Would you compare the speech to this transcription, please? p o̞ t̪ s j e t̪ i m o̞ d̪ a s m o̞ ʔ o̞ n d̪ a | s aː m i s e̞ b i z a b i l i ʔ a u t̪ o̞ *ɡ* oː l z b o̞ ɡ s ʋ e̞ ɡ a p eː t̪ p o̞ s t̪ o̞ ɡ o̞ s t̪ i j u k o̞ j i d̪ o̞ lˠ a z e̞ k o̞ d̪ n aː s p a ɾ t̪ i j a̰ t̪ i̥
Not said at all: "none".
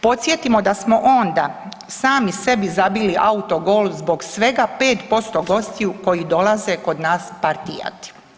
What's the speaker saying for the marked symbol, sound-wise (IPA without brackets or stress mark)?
ɡ